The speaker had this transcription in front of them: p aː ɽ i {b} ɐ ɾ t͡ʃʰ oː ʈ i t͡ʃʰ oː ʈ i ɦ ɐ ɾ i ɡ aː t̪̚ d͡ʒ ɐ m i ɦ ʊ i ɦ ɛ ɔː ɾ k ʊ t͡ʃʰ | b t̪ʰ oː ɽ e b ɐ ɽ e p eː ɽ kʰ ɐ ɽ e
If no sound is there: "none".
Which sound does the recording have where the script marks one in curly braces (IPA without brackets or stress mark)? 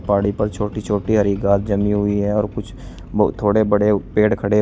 p